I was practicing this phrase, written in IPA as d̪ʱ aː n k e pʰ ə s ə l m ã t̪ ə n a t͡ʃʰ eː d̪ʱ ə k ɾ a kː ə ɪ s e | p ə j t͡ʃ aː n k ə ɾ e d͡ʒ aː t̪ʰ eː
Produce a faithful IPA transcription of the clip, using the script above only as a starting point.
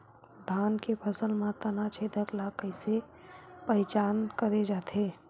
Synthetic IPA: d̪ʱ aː n k e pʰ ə s ə l m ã t̪ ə n a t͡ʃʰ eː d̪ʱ ə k l a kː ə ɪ s e | p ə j t͡ʃ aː n k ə ɾ e d͡ʒ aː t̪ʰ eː